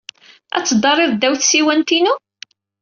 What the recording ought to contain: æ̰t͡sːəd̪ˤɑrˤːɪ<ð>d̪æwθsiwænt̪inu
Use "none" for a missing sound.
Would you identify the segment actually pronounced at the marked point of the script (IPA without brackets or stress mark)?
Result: ð